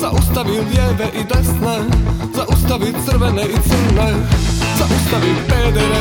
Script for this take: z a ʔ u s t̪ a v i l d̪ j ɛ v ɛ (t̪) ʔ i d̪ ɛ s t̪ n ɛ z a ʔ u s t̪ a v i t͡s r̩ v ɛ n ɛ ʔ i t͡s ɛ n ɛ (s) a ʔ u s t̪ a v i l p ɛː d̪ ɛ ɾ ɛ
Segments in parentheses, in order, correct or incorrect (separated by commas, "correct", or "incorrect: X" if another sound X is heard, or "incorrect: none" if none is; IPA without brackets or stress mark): incorrect: none, incorrect: z